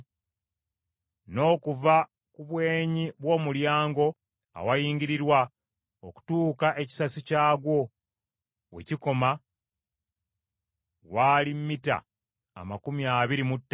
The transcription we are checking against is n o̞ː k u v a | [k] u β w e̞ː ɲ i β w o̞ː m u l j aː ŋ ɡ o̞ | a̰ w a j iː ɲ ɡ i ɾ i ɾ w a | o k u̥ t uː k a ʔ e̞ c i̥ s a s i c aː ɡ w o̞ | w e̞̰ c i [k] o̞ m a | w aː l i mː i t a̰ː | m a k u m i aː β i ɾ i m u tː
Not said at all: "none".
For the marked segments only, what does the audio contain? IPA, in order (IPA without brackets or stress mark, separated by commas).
k, k